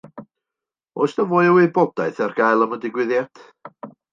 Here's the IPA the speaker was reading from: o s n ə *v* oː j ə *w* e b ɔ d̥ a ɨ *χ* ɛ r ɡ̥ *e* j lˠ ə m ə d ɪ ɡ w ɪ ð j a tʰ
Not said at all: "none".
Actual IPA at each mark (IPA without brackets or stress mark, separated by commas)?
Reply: v, w, θ, a